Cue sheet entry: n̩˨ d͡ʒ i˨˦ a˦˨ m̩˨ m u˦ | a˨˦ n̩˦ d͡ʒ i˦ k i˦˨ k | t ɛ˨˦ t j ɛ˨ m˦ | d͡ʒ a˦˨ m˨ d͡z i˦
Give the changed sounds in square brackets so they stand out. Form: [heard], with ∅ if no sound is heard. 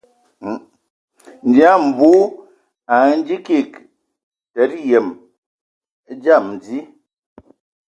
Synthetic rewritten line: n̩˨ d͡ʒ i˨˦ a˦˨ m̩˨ [b] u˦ | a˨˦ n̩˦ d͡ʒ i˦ k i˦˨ k | t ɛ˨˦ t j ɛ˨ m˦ | d͡ʒ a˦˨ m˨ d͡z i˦